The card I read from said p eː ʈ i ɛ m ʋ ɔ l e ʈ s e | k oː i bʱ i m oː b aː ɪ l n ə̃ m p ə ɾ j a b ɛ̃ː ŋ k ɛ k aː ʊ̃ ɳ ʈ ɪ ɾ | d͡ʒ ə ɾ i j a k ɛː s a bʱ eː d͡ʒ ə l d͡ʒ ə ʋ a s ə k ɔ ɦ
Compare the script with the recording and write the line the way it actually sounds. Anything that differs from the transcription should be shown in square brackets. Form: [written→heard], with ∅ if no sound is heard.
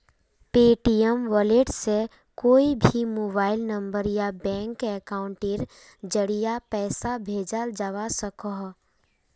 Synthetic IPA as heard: p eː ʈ i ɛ m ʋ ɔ l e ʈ s e | k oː i bʱ i m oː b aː ɪ l n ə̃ m [p→b] ə ɾ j a b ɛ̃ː ŋ k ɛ k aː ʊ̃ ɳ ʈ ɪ ɾ | d͡ʒ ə [ɾ→ɽ] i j a [k→p] ɛː s a bʱ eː d͡ʒ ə l d͡ʒ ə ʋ a s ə k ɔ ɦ